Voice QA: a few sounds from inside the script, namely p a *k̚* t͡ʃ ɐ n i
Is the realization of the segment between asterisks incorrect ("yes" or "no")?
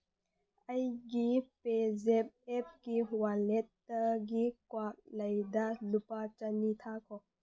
yes